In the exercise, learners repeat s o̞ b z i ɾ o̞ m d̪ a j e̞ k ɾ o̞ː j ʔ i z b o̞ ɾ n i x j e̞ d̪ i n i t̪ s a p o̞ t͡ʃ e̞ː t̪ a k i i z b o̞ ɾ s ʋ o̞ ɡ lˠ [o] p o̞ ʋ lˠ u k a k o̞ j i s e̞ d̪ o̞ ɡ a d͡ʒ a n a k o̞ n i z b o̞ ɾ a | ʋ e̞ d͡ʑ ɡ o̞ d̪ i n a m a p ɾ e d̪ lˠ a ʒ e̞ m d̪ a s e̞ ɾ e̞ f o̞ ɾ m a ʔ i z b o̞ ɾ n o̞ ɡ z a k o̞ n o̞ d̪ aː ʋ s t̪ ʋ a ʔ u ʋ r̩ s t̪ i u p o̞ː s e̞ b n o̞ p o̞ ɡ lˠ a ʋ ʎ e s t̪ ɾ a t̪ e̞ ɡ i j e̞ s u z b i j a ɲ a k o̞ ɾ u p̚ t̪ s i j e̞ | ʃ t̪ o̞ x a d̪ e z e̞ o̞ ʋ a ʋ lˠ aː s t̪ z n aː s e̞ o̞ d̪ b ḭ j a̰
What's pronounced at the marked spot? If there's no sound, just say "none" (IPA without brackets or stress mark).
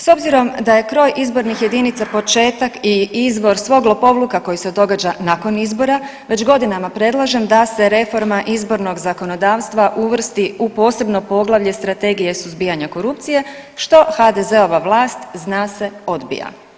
o